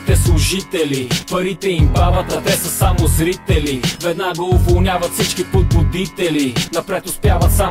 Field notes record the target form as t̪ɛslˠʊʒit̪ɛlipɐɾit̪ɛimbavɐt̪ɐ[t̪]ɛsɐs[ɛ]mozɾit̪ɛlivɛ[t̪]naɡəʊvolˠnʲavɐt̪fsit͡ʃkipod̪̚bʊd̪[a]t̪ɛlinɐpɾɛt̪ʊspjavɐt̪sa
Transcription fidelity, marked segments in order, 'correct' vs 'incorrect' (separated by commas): correct, incorrect, incorrect, incorrect